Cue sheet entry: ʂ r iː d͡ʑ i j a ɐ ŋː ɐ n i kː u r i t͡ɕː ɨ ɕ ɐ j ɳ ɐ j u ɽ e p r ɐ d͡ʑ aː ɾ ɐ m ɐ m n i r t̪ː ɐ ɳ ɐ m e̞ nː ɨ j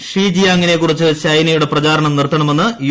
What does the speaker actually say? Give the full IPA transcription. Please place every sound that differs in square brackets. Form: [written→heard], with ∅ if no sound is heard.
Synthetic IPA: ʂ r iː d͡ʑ i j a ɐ ŋː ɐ n [i→e] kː u r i t͡ɕː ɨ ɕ ɐ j [ɳ→n] ɐ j u ɽ e p r ɐ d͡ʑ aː ɾ ɐ [m→ɳ] ɐ m n i r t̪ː ɐ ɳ ɐ m e̞ nː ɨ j

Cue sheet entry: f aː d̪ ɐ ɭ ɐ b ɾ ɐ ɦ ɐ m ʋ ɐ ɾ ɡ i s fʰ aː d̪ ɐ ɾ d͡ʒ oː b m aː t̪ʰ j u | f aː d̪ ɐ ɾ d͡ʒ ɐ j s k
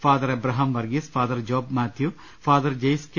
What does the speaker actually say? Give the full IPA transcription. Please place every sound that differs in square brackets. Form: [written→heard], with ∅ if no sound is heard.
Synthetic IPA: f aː d̪ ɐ [ɭ→ɾ] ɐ b ɾ ɐ ɦ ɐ m ʋ ɐ ɾ ɡ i s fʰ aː d̪ ɐ ɾ d͡ʒ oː b m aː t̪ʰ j u | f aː d̪ ɐ ɾ d͡ʒ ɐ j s k

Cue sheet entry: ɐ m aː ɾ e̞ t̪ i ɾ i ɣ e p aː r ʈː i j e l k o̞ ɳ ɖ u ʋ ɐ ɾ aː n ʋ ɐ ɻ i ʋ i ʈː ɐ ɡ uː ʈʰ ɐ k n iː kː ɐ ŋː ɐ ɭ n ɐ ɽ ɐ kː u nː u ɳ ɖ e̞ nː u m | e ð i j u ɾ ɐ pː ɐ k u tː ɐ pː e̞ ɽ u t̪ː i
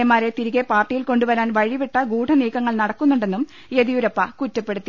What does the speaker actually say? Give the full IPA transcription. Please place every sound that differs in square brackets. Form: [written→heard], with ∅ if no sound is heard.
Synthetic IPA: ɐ m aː ɾ e̞ t̪ i ɾ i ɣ e p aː r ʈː i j [e→i] l k o̞ ɳ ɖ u ʋ ɐ ɾ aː n ʋ ɐ ɻ i ʋ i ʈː ɐ ɡ uː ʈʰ ɐ [k→∅] n iː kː ɐ ŋː ɐ ɭ n ɐ ɽ ɐ kː u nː u ɳ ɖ e̞ nː u m | e ð i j u ɾ ɐ pː ɐ k u tː ɐ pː e̞ ɽ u t̪ː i

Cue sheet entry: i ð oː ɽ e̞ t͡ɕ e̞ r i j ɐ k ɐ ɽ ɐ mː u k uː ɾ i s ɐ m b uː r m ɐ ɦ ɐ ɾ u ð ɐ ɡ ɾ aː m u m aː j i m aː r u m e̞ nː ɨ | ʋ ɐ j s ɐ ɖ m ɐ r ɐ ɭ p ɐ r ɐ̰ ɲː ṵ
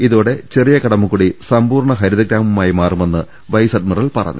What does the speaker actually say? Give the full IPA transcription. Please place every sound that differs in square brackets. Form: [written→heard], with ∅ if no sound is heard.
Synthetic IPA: i ð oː ɽ e̞ t͡ɕ e̞ r i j ɐ k ɐ ɽ ɐ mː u k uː [ɾ→ɽ] i s ɐ m b uː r [m→ɳ] ɐ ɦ ɐ ɾ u ð ɐ ɡ ɾ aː m u m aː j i m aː r u m e̞ nː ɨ | ʋ ɐ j s ɐ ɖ m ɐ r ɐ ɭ p ɐ r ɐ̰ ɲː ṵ

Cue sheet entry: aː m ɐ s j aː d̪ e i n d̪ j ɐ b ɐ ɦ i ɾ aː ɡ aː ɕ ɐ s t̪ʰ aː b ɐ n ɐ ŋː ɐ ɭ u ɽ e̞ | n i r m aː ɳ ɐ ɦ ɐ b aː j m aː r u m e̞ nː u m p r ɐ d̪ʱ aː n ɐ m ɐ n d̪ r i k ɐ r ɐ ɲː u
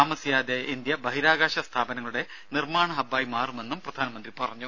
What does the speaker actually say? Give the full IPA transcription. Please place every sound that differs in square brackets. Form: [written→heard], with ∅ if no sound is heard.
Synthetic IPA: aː m ɐ s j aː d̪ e i n d̪ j ɐ b ɐ ɦ i ɾ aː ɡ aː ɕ ɐ s t̪ʰ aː b ɐ n ɐ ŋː ɐ ɭ u ɽ e̞ | n i r m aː ɳ ɐ ɦ ɐ b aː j m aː r u m e̞ nː u m p r ɐ d̪ʱ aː n ɐ m ɐ n d̪ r i [k→p] ɐ r ɐ ɲː u

